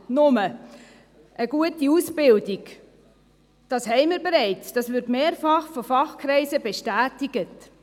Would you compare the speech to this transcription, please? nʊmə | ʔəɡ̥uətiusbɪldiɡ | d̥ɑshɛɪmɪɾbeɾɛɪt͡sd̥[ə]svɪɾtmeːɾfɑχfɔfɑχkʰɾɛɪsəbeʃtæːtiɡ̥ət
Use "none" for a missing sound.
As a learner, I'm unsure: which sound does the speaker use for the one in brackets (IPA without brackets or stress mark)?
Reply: ɑ